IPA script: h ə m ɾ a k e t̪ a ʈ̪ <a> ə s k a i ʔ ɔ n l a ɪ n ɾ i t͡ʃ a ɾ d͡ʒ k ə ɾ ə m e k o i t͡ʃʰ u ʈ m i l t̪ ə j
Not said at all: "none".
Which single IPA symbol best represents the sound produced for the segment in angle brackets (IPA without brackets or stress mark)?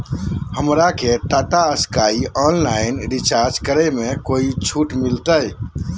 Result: a